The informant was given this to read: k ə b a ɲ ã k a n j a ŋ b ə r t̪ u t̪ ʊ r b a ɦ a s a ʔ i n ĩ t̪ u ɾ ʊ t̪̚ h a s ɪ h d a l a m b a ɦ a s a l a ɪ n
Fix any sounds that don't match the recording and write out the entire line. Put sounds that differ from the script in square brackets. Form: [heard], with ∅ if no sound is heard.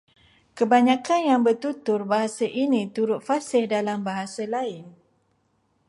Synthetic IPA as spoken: k ə b a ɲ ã k a n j a ŋ b ə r t̪ u t̪ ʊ r b a ɦ a s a ʔ i n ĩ t̪ u ɾ ʊ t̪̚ [f] a s ɪ h d a l a m b a ɦ a s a l a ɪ n